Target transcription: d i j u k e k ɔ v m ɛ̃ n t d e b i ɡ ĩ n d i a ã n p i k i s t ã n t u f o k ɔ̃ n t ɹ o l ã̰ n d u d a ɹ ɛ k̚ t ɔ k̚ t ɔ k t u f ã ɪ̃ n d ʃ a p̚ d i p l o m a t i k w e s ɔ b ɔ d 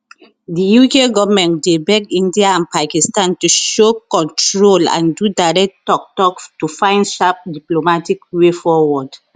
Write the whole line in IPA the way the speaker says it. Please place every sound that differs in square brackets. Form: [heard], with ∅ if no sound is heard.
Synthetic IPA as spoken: d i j u k e [ɡ] ɔ v m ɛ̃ n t d e b [ɛ] ɡ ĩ n d i a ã n p [a] k i s t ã n t u [ʃ] o k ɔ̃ n t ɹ o l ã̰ n d u d a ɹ ɛ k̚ t ɔ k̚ t ɔ k t u f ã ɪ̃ n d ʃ a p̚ d i p l o m a t i k w e [f] ɔ [w] ɔ d